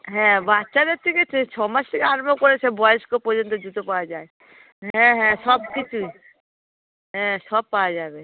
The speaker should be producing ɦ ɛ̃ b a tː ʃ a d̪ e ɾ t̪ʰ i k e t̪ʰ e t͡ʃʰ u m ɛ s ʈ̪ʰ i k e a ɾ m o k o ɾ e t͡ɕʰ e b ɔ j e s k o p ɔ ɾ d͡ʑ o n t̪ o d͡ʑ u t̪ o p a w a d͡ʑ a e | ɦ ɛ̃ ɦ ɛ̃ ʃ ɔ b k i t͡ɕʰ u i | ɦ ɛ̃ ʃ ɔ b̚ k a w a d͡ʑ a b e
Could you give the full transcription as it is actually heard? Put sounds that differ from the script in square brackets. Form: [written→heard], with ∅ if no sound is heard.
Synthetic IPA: ɦ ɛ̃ b a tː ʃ a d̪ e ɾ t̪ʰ i k e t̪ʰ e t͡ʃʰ [u→ɔ] m [ɛ→a] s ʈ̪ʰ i k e a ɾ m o k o ɾ e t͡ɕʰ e b ɔ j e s k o p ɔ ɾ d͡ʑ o n t̪ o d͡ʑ u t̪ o p a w a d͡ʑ a e | ɦ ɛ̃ ɦ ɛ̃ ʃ ɔ b k i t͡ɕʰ u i | ɦ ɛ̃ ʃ ɔ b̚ [k→p] a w a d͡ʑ a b e